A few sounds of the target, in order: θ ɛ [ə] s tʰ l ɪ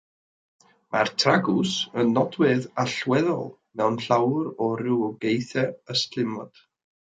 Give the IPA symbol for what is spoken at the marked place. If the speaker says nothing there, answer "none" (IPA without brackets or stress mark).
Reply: ə